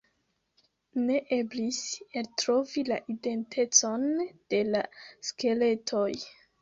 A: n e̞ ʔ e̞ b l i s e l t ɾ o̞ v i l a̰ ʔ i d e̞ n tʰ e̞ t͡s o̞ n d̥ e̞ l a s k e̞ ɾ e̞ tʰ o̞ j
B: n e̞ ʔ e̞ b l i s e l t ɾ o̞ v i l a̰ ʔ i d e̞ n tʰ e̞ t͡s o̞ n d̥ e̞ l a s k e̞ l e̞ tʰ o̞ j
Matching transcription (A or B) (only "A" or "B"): B